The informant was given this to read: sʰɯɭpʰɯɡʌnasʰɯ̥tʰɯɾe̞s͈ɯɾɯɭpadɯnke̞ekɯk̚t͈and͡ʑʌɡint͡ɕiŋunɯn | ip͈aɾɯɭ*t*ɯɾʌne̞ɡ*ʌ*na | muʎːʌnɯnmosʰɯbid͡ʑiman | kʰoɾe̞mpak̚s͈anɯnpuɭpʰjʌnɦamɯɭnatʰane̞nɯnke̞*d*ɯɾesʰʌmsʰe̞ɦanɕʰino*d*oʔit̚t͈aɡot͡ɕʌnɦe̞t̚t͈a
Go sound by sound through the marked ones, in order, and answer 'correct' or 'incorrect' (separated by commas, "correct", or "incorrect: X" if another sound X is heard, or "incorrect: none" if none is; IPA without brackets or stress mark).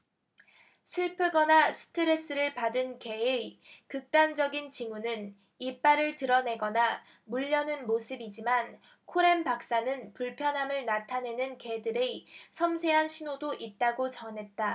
correct, correct, correct, correct